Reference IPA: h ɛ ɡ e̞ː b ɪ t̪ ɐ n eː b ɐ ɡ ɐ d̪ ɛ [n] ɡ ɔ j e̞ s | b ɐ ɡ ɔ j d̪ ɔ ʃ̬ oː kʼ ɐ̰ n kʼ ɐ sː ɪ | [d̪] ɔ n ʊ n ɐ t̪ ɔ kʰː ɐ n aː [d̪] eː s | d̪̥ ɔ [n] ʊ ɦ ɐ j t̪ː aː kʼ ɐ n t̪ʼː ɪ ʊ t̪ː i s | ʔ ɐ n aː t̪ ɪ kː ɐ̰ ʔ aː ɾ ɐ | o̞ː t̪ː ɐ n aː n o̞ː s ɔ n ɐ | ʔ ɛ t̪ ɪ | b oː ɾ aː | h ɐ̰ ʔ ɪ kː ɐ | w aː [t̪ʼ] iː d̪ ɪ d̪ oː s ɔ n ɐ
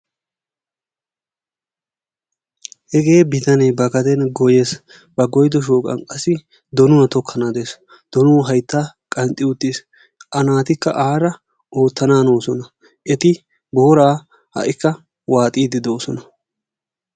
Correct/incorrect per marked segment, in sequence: correct, correct, correct, correct, correct

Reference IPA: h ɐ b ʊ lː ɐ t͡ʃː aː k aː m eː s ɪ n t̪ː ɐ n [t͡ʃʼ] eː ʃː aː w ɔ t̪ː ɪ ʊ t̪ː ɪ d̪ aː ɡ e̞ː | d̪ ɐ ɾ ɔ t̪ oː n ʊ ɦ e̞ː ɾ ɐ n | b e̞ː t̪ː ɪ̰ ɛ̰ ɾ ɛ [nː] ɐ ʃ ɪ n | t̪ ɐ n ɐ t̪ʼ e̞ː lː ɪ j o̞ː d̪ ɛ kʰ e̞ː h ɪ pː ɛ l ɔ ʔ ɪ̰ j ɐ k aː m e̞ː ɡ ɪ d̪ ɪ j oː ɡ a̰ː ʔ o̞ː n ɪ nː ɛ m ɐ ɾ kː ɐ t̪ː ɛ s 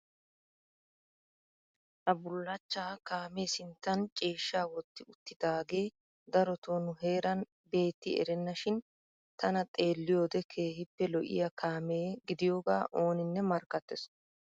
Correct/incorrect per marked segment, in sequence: correct, correct

